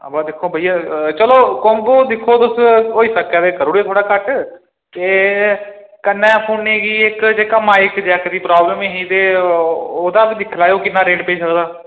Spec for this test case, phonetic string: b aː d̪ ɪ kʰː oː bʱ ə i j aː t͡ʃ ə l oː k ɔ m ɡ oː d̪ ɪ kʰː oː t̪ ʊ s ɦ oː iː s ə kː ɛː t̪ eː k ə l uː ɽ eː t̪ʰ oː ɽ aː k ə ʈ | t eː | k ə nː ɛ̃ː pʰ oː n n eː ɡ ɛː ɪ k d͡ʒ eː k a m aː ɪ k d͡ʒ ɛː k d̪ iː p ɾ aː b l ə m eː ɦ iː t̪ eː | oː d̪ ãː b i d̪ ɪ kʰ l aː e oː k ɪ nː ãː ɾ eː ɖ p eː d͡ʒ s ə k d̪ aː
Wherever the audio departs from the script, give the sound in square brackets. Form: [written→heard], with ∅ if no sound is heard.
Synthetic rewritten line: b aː d̪ ɪ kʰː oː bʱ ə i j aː t͡ʃ ə l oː k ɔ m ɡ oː d̪ ɪ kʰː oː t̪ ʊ s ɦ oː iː s ə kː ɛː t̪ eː k ə [l→ɾ] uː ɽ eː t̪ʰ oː ɽ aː k ə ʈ | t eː | k ə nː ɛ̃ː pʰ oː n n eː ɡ [ɛː→iː] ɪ k d͡ʒ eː k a m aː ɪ k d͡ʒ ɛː k d̪ iː p ɾ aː b l ə m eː ɦ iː t̪ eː | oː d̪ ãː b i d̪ ɪ kʰ l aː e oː k ɪ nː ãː ɾ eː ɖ p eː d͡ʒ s ə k d̪ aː